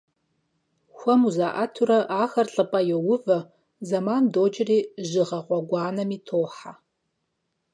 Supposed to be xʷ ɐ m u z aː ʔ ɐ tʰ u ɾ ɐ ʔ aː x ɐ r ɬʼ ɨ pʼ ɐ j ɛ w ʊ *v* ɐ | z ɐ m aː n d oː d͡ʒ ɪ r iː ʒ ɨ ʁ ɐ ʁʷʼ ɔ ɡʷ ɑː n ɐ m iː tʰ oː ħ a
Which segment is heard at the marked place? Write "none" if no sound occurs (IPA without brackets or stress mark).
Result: v